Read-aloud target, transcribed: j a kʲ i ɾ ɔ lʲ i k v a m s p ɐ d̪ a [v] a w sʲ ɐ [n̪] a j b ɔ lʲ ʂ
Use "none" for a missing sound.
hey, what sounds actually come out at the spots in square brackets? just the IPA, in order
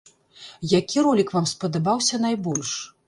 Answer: b, n̪

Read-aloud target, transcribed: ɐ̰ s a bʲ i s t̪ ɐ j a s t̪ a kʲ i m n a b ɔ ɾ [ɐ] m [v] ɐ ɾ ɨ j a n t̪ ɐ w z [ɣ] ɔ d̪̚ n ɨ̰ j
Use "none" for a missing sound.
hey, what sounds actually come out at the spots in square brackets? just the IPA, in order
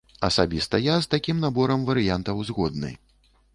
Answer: ɐ, v, ɣ

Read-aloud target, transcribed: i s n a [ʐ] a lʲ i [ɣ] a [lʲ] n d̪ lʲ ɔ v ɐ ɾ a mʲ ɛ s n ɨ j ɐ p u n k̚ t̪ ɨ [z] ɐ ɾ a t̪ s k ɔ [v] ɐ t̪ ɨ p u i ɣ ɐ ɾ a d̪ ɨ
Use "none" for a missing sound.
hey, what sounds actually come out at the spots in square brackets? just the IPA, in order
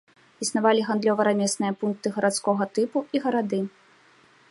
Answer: v, ɣ, none, ɣ, ɣ

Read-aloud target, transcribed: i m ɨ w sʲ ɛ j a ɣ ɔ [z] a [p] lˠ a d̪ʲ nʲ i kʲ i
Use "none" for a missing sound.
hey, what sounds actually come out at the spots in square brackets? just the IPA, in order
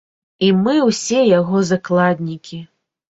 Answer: z, k

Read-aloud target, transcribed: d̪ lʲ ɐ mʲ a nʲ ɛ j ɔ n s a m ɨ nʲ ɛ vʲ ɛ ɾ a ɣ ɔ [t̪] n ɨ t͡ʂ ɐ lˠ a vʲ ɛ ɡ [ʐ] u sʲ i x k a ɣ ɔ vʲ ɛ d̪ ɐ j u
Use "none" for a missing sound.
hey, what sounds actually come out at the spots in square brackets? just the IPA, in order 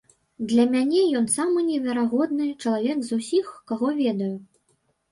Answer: d̪, z

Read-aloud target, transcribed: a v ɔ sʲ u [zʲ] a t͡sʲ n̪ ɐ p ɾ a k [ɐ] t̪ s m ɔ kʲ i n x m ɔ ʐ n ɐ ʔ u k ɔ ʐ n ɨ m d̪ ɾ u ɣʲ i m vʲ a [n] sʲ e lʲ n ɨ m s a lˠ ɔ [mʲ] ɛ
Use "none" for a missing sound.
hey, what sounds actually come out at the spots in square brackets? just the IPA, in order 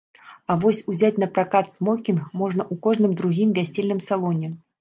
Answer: zʲ, a, none, nʲ

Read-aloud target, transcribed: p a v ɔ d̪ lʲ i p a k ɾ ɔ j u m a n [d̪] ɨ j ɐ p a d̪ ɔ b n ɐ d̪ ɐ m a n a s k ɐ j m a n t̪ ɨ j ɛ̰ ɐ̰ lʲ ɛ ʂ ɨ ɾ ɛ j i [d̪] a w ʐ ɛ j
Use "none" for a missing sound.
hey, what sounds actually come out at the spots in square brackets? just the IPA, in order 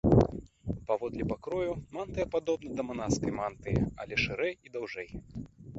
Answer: t̪, d̪

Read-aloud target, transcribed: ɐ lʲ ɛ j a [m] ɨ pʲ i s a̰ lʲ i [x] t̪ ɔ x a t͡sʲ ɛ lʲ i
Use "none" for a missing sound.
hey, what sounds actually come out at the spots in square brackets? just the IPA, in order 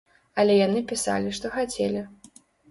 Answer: n, ʂ

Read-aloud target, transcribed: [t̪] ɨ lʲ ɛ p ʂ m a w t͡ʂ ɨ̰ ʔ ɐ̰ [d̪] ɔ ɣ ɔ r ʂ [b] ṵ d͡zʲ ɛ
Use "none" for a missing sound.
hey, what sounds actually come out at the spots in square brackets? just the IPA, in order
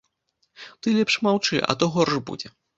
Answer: t̪, t̪, b

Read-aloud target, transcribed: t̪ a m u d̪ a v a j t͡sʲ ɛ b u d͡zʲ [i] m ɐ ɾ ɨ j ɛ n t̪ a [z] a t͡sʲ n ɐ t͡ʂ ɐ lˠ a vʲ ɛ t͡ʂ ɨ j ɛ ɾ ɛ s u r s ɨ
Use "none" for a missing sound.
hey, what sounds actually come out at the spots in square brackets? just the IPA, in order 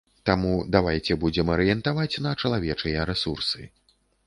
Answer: ɛ, v

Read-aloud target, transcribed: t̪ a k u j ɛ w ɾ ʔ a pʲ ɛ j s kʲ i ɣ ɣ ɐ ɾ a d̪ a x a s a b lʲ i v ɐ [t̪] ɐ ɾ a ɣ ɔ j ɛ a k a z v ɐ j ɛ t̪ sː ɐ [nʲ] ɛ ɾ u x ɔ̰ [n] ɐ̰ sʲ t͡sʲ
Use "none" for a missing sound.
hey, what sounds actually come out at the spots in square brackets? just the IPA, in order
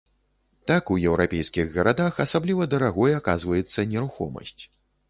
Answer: d̪, nʲ, m

